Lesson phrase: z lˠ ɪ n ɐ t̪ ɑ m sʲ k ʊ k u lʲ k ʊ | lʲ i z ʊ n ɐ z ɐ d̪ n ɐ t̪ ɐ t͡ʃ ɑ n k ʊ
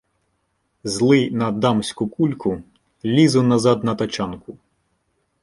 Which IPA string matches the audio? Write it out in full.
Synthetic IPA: z lˠ ɪ n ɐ d̪ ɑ m sʲ k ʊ k u lʲ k ʊ | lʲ i z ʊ n ɐ z ɑ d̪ n ɐ t̪ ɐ t͡ʃ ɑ n k ʊ